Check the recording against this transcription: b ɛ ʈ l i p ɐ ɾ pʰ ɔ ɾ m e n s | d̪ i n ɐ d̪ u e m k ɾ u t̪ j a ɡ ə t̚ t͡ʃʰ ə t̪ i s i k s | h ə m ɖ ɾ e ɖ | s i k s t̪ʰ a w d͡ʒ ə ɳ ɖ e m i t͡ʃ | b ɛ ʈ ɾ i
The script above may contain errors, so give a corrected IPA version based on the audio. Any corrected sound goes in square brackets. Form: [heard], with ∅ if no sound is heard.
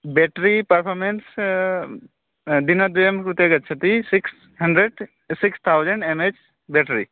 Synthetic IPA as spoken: b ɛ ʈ [ɾ] i p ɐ ɾ pʰ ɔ ɾ m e n s | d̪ i n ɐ d̪ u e m k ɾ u t̪ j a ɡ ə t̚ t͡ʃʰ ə t̪ i s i k s | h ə [ɳ] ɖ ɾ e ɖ | s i k s t̪ʰ a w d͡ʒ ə ɳ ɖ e m [e] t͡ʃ | b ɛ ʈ ɾ i